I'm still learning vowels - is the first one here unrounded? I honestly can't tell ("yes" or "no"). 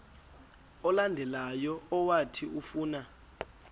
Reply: no